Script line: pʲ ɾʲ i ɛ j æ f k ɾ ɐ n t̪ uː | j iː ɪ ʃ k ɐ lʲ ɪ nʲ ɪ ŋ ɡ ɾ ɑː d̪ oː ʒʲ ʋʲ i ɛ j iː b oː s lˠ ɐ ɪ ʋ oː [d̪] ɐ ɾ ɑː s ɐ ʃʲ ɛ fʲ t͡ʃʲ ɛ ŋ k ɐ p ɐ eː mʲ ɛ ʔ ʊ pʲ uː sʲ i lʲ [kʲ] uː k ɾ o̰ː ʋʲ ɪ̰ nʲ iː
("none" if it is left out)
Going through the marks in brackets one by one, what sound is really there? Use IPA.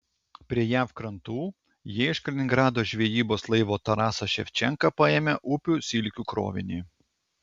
t̪, kʲ

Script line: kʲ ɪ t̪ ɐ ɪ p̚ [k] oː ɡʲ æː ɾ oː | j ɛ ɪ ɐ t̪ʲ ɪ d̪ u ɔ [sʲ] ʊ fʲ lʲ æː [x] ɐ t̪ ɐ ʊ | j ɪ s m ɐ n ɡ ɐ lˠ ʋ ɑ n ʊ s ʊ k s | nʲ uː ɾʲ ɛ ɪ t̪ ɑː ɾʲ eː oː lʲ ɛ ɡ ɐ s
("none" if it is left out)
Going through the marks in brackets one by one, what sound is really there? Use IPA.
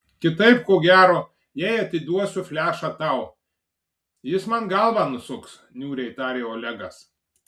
k, sʲ, ʃ

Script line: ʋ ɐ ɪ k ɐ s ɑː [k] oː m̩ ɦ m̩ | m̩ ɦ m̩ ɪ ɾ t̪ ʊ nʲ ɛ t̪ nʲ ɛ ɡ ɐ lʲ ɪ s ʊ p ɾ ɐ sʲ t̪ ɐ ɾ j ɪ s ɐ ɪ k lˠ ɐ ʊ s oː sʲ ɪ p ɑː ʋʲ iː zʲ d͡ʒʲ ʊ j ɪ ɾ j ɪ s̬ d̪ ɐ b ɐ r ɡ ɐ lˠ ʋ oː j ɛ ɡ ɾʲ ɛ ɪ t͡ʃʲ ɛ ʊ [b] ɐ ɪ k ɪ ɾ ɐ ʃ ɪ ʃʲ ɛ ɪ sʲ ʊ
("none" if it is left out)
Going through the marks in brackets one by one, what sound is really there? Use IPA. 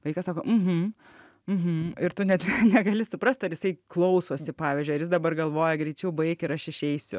k, b

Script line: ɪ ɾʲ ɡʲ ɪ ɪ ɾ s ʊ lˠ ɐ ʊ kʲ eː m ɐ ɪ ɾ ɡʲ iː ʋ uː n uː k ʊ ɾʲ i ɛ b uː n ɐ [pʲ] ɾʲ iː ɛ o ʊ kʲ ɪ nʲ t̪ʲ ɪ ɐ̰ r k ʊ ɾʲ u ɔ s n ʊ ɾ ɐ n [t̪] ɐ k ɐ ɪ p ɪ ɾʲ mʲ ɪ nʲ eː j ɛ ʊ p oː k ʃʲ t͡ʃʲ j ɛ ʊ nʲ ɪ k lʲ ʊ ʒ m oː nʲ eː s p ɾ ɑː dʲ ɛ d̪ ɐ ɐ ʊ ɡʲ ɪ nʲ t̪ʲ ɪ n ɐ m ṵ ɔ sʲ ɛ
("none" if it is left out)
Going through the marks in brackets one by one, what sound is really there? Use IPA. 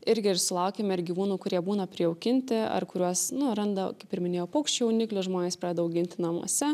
pʲ, d̪

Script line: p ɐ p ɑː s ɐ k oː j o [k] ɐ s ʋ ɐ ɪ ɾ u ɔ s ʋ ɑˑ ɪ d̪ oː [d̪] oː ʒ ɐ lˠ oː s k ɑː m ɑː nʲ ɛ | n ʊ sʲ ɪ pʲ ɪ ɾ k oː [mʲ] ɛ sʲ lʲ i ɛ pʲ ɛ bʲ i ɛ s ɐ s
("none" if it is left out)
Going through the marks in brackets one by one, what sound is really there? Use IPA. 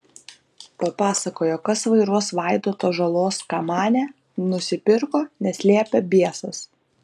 k, t̪, nʲ

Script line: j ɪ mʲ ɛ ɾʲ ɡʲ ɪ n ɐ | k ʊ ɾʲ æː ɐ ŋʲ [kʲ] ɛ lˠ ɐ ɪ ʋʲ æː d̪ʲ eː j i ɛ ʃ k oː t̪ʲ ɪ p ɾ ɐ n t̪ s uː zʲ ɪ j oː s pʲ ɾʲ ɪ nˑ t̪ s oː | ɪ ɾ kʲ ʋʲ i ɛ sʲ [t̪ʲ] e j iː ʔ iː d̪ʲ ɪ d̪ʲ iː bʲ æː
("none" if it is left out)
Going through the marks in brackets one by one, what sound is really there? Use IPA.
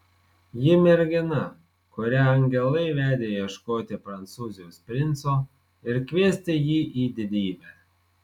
ɡʲ, t̪ʲ

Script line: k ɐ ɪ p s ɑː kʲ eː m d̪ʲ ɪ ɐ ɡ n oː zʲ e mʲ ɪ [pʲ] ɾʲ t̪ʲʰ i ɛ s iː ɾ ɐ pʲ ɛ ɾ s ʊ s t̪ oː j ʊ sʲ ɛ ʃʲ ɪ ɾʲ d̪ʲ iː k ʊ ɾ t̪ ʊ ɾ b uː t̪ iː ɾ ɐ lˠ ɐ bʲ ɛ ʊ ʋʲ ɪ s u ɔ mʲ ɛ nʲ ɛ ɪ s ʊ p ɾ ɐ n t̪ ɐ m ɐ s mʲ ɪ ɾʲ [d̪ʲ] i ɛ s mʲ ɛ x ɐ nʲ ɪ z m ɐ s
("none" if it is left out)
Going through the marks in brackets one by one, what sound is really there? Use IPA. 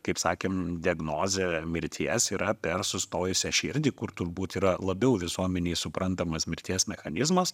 none, t̪ʲ

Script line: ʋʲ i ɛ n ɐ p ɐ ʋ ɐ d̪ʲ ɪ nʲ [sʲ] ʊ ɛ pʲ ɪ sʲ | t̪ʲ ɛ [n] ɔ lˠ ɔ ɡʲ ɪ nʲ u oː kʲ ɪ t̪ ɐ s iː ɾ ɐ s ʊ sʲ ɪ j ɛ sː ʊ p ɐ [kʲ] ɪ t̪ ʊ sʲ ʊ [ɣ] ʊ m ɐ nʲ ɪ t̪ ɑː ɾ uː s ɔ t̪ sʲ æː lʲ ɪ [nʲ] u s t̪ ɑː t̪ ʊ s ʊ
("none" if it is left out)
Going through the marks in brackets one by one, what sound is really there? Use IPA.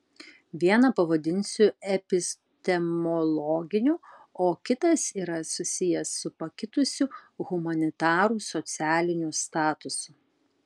sʲ, m, kʲ, ɣ, nʲ

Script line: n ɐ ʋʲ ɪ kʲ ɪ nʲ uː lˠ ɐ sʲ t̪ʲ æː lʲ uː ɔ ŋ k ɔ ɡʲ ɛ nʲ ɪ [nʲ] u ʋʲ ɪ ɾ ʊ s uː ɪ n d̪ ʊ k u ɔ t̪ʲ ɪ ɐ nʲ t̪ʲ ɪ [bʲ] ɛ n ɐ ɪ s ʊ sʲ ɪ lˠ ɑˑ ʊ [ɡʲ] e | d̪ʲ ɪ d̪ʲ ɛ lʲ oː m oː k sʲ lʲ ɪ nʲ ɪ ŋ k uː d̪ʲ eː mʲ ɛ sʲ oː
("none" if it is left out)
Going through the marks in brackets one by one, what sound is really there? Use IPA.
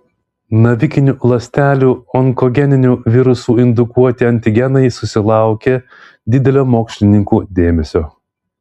nʲ, ɡʲ, kʲ

